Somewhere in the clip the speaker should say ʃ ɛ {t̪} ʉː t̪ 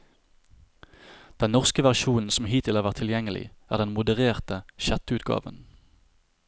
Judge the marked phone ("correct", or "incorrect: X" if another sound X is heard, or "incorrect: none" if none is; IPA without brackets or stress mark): correct